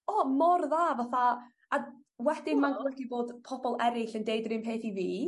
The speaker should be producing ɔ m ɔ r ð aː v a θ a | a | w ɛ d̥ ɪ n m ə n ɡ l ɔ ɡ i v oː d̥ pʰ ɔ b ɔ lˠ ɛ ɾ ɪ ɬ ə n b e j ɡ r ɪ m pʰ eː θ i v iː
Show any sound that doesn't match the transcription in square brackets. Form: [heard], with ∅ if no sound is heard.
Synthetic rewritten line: ɔ m ɔ r ð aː v a θ a | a | w ɛ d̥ ɪ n m [a] n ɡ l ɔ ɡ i [b] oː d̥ pʰ ɔ b ɔ lˠ ɛ ɾ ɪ ɬ ə n [d] e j [d] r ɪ m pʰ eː θ i v iː